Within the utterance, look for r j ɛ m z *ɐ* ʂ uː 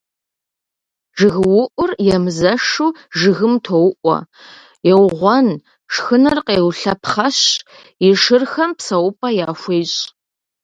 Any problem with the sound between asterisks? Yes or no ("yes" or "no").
no